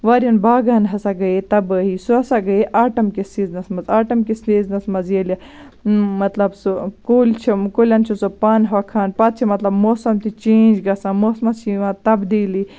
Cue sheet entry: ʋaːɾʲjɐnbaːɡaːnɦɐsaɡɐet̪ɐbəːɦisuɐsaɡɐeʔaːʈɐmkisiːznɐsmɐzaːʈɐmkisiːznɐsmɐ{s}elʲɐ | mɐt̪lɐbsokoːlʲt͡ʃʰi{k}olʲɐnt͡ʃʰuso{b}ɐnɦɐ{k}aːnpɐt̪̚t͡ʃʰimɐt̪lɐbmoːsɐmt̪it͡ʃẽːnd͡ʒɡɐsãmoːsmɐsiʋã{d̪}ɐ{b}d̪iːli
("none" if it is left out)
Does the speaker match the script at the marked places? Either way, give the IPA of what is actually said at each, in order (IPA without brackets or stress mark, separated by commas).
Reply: z, k, p, kʰ, t̪, b